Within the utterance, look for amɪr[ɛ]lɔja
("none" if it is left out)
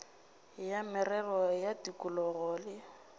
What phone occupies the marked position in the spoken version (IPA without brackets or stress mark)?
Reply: ɛ